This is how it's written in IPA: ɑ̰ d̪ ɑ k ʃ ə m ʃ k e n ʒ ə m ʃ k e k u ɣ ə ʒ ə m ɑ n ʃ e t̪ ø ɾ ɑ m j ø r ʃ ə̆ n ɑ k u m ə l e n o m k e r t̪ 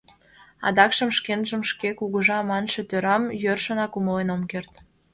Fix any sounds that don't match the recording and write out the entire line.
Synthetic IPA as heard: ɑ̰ d̪ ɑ k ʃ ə m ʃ k e n ʒ ə m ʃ k e k u ɣ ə ʒ ɑ m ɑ n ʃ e t̪ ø ɾ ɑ m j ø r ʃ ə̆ n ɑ k u m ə l e n o m k e r t̪